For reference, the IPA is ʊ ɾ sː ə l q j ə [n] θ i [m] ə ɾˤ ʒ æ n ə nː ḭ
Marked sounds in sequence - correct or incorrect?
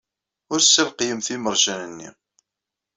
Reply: incorrect: m, correct

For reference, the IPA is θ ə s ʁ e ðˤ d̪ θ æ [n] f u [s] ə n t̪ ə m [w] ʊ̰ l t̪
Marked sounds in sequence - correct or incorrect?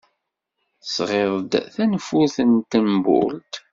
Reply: correct, incorrect: θ, incorrect: b

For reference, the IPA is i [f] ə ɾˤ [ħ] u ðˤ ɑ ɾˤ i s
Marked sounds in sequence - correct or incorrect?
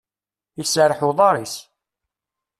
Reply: incorrect: s, correct

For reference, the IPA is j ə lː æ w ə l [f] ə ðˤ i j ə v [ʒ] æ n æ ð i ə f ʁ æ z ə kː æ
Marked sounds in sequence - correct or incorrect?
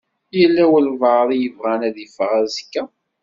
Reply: incorrect: v, incorrect: ʁ

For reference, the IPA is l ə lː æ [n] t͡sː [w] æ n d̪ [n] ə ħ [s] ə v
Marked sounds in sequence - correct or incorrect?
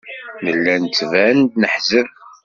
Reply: correct, incorrect: v, correct, incorrect: z

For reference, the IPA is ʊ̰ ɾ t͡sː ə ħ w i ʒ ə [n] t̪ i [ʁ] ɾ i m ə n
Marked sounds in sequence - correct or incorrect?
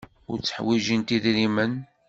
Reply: correct, incorrect: ð

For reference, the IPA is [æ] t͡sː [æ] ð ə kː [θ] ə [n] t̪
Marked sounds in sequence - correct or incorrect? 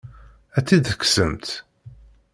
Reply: correct, incorrect: i, incorrect: s, incorrect: m

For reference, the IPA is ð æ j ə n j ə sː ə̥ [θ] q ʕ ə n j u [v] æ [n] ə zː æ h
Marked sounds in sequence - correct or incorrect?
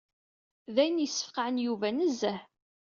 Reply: incorrect: f, correct, correct

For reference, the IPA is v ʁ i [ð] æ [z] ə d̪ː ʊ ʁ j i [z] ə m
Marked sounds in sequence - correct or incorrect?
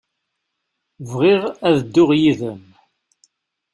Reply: incorrect: ʁ, incorrect: ð, incorrect: ð

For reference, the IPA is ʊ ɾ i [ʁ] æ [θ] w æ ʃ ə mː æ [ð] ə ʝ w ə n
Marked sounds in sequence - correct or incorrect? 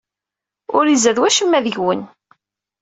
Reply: incorrect: z, incorrect: ð, correct

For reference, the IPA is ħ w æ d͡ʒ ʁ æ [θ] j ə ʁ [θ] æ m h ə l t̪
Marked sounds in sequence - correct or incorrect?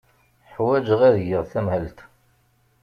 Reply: incorrect: ð, correct

